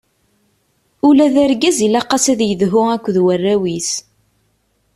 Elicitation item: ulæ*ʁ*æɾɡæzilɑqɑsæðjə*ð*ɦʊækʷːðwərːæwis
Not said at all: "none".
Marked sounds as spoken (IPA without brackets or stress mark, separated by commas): ð, ð